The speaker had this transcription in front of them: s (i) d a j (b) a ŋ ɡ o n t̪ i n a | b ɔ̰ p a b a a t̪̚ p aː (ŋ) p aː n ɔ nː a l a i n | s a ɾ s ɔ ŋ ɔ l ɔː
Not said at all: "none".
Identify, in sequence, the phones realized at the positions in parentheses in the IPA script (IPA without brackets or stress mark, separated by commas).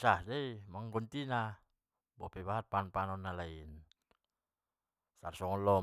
a, m, n